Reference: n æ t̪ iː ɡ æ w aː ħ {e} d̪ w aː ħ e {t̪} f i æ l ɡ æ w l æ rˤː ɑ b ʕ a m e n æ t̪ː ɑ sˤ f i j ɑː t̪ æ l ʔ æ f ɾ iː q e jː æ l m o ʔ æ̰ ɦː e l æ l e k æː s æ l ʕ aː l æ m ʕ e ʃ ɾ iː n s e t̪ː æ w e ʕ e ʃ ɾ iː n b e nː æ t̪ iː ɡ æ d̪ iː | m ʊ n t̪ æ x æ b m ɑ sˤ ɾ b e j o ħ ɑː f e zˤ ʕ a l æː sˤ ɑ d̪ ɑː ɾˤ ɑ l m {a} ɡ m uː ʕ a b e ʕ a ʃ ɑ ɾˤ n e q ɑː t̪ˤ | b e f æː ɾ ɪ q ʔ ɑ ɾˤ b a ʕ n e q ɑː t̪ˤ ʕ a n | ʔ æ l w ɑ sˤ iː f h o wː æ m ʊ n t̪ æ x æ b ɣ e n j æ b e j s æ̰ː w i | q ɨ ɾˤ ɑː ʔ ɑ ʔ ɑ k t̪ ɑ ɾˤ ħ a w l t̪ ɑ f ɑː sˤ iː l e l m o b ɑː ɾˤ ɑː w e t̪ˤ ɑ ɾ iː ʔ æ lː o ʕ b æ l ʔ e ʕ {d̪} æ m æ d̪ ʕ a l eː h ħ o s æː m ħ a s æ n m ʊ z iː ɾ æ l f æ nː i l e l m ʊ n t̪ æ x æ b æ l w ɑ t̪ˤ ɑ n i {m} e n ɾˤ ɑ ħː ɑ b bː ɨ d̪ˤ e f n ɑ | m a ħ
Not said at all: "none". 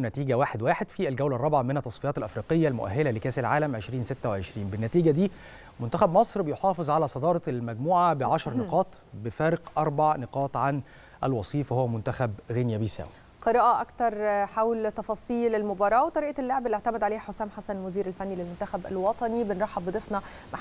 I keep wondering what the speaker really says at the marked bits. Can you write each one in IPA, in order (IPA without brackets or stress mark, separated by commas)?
e, d̪, æ, t̪, b